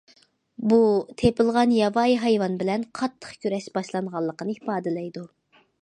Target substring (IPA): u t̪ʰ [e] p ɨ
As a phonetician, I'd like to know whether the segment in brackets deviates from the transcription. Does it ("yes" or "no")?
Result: no